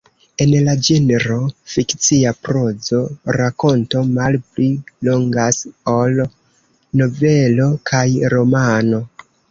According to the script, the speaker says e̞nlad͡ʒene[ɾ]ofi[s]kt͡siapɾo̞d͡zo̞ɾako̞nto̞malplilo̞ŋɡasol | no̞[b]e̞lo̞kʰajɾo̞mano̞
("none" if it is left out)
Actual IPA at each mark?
ɾ, none, v

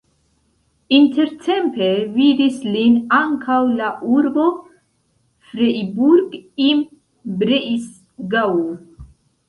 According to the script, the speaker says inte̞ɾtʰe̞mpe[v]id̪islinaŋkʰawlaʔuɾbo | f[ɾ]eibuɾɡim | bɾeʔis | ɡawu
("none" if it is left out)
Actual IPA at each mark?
v, ɾ

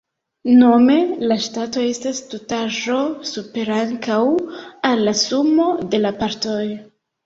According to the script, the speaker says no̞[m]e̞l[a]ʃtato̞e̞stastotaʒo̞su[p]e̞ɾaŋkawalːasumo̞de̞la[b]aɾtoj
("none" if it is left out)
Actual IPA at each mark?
m, a, p, p

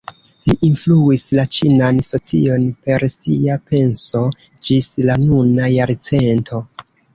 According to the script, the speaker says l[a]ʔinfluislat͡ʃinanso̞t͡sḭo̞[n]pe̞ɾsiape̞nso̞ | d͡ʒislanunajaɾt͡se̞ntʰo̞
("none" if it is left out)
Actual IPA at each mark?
i, n

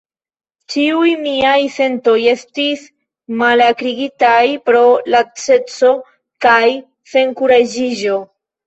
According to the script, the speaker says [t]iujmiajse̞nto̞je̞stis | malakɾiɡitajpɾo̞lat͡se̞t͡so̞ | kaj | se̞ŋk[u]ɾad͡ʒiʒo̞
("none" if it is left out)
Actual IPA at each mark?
t͡ʃ, u

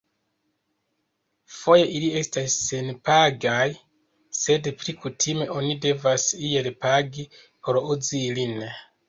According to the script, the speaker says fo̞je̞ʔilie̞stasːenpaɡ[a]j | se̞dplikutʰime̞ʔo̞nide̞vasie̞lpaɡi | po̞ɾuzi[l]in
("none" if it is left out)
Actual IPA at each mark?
a, l

